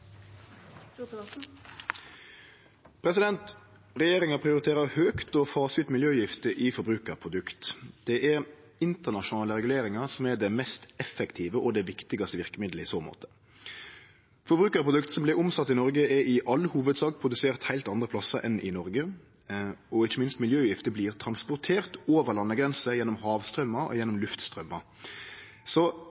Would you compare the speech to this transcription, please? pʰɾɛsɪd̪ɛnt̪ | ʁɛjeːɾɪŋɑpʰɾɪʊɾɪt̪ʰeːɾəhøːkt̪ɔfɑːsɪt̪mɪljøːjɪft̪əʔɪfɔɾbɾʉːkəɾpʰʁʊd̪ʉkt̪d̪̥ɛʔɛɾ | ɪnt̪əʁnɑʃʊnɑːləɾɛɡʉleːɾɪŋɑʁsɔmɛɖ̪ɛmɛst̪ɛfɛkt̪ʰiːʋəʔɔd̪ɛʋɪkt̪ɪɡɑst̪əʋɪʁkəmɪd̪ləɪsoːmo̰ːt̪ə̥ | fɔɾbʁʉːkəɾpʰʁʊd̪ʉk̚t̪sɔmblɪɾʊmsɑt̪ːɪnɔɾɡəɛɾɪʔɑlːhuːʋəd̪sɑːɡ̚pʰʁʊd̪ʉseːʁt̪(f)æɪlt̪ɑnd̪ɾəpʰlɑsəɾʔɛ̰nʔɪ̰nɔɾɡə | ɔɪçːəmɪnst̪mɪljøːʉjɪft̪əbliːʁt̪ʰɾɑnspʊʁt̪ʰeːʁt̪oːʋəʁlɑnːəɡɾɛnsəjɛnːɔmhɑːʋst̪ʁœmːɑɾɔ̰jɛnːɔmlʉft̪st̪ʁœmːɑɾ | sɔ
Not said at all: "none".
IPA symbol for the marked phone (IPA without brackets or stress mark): h